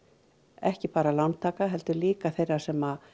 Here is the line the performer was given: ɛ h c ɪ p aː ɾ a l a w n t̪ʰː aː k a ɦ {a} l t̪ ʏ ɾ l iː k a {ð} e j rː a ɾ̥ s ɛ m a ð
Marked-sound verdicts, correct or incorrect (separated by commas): incorrect, incorrect